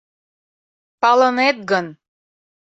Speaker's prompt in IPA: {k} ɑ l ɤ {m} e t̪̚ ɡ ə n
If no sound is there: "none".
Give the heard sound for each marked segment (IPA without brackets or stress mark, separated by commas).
p, n